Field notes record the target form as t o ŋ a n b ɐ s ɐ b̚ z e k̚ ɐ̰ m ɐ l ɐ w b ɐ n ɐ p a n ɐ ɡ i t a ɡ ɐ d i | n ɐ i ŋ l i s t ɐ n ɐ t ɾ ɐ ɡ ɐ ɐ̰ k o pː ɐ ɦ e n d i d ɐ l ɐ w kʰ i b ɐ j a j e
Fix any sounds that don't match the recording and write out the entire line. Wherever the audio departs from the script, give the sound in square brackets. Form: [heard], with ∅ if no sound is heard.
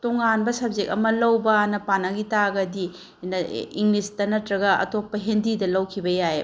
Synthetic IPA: t o ŋ a n b ɐ s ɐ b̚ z e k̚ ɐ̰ m ɐ l ɐ w b ɐ n ɐ p a n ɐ ɡ i t a ɡ ɐ d i | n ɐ i ŋ l i s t ɐ n ɐ t ɾ ɐ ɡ ɐ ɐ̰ [t] o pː ɐ ɦ e n d i d ɐ l ɐ w kʰ i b ɐ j a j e